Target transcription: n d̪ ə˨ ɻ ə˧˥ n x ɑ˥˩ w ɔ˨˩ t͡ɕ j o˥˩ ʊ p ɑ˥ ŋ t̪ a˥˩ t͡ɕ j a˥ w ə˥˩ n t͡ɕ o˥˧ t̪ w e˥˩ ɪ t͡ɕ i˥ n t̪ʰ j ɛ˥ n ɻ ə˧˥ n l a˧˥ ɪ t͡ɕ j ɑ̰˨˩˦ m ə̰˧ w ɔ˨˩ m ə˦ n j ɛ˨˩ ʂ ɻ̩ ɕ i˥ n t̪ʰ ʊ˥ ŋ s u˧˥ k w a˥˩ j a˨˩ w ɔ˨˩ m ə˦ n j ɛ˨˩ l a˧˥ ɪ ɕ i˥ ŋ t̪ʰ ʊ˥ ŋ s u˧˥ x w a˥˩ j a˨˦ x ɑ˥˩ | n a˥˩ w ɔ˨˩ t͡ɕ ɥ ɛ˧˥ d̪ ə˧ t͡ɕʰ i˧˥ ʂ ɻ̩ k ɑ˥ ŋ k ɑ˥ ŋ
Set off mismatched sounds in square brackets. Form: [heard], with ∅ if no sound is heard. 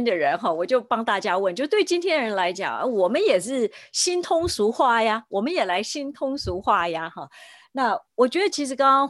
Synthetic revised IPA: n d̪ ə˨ ɻ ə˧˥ n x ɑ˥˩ w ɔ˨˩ t͡ɕ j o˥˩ ʊ p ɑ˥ ŋ t̪ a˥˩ t͡ɕ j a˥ w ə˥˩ n t͡ɕ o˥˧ t̪ w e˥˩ ɪ t͡ɕ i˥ n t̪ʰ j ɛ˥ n ɻ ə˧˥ n l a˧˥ ɪ t͡ɕ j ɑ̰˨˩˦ [ŋ] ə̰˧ w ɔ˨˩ m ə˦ n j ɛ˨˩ ʂ ɻ̩ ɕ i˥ n t̪ʰ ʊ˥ ŋ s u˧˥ [x] w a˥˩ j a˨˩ w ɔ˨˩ m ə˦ n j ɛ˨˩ l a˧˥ ɪ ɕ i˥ [n] t̪ʰ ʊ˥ ŋ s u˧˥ x w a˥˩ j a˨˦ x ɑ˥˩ | n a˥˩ w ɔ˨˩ t͡ɕ ɥ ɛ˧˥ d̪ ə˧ t͡ɕʰ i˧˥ ʂ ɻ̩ k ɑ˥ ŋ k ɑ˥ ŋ